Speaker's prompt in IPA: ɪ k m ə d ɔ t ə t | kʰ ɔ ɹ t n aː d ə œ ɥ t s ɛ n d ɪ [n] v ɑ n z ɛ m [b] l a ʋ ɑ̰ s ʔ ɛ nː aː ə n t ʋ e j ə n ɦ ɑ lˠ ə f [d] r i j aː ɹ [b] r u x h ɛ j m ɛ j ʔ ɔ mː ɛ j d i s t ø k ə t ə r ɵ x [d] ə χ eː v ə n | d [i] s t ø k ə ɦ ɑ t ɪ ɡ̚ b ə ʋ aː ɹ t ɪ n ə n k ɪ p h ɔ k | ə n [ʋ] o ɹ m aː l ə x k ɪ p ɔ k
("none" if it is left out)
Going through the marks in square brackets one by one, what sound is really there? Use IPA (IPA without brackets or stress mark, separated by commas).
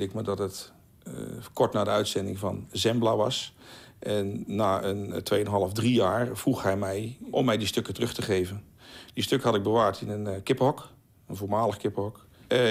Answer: ŋ, b, d, v, t, i, v